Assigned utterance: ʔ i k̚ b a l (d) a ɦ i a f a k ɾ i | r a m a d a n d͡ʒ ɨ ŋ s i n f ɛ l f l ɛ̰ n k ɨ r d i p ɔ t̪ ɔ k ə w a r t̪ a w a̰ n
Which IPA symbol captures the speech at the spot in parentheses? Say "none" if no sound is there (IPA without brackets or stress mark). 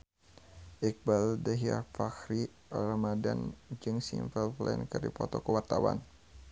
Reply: d